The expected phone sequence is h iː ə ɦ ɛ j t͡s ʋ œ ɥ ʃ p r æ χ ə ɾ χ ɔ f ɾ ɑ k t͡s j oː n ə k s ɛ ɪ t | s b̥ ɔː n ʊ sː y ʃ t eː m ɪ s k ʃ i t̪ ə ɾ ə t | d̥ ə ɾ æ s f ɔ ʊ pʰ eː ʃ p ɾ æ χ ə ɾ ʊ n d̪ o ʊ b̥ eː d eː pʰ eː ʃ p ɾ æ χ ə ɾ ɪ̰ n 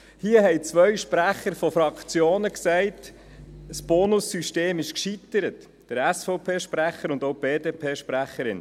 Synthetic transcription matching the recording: h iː ə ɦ ɛ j t͡s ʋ œ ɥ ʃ p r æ χ ə ɾ f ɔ f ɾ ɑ k t͡s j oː n ə k s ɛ ɪ t | s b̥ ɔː n ʊ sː y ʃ t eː m ɪ ʃ k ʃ i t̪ ə ɾ ə t | d̥ ə ɾ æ s f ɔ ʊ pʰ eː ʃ p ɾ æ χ ə ɾ ʊ n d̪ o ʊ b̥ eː d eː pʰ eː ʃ p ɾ æ χ ə ɾ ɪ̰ n